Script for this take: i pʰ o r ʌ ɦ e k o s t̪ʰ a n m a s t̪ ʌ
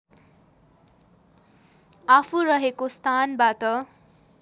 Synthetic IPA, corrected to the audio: a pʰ u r ʌ ɦ e k o s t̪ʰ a n b a t̪ ʌ